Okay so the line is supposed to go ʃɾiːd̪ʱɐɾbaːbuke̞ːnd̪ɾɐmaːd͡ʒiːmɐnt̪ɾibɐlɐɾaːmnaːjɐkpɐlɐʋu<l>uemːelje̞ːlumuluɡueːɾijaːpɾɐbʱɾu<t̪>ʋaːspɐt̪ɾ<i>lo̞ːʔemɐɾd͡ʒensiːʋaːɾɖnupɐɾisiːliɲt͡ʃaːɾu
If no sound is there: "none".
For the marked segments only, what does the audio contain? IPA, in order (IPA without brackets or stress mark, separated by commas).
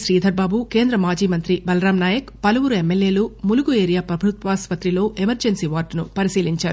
ɾ, t̪, i